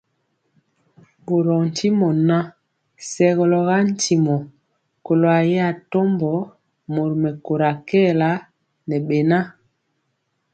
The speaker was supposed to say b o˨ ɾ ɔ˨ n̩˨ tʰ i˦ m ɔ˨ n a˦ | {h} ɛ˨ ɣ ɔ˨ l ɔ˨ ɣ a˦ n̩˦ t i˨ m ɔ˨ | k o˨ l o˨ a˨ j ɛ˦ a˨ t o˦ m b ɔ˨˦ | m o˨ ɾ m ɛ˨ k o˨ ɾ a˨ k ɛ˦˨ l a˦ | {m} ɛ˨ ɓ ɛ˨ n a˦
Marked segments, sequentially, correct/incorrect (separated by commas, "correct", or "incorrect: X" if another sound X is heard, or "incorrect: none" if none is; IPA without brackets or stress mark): incorrect: s, incorrect: n